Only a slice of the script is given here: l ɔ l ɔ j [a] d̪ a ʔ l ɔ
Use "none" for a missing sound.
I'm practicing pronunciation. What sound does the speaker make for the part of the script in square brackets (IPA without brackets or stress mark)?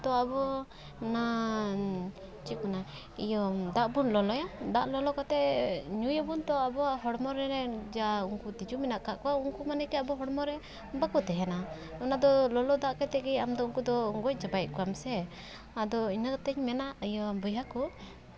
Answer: a